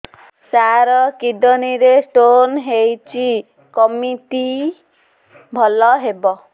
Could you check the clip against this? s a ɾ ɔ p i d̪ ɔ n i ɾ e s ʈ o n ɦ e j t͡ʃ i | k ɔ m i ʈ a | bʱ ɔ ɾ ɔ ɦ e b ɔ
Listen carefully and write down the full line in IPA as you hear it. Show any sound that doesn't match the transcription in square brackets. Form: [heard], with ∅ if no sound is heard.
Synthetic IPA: s a ɾ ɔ [k] i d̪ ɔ n i ɾ e s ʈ o n ɦ e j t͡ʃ i | k ɔ m i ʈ [i] | bʱ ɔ [l] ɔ ɦ e b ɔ